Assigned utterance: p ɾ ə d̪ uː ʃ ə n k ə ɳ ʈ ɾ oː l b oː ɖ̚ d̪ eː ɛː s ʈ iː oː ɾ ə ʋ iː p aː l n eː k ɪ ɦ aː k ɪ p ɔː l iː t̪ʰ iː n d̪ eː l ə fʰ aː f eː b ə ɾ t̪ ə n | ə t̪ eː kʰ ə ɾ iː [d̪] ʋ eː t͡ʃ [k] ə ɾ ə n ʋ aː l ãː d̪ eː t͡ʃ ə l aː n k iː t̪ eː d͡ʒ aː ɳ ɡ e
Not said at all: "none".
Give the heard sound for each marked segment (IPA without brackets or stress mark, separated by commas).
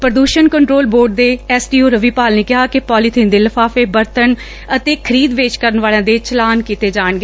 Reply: d̪, k